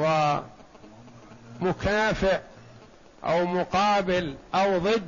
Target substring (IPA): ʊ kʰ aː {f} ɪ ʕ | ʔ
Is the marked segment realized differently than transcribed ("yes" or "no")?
no